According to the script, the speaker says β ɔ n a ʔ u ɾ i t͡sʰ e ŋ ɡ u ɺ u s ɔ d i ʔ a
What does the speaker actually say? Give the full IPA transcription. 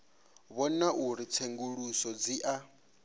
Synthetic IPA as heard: β ɔ n a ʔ u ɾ i t͡sʰ e ŋ ɡ u ɺ u s ɔ d͡z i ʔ a